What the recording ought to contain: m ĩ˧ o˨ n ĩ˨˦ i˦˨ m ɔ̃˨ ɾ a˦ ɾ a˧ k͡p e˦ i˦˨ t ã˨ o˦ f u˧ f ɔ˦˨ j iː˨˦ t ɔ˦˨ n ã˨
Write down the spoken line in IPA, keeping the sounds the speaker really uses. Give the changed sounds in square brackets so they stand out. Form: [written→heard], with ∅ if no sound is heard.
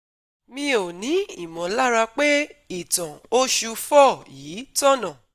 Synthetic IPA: m ĩ˧ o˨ n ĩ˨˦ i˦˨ m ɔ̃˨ [ɾ→l] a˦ ɾ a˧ k͡p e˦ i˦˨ t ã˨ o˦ [f→ʃ] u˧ f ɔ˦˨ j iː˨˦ t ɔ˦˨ n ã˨